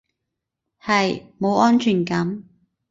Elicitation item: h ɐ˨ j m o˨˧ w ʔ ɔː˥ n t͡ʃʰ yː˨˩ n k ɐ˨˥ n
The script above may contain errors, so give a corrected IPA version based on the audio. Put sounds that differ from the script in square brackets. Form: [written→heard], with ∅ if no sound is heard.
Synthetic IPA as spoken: h ɐ˨ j m o˨˧ w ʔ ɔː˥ n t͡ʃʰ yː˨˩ n k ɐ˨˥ [n→m]